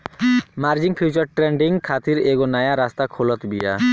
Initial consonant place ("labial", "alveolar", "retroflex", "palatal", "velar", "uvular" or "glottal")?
labial